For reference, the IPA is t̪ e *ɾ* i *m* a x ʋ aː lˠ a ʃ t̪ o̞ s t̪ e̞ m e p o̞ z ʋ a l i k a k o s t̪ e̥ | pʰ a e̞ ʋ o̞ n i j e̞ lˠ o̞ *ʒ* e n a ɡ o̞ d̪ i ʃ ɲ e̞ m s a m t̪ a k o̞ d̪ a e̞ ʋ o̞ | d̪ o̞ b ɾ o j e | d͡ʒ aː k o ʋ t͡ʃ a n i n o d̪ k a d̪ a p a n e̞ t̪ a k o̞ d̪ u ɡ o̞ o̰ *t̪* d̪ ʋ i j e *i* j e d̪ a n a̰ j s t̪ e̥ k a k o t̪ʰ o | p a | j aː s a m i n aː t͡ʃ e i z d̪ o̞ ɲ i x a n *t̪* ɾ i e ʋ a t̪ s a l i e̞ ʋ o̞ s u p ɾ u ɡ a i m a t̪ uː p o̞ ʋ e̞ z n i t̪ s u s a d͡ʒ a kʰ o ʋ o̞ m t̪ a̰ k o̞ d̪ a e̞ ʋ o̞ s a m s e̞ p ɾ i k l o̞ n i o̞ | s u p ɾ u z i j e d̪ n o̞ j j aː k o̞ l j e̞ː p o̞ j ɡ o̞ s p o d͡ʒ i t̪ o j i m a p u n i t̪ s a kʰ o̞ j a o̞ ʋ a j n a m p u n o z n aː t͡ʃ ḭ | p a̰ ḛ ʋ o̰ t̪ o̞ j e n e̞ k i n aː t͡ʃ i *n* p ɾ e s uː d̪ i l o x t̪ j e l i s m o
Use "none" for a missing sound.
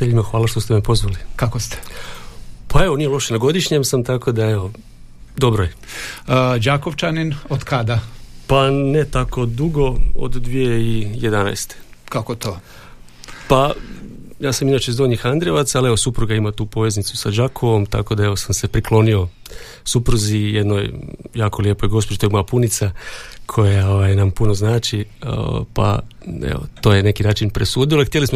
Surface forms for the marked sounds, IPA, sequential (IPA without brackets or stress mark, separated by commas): ʎ, m, ʃ, d̪, i, d̪, n